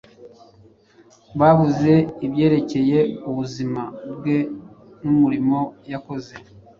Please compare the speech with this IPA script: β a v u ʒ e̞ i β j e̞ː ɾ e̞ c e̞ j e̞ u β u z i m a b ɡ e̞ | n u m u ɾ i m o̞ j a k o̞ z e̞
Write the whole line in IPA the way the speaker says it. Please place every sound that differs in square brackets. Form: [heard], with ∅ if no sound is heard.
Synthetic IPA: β a [β] u [z] e̞ i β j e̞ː ɾ e̞ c e̞ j e̞ u β u z i m a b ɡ e̞ | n u m u ɾ i m o̞ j a k o̞ z e̞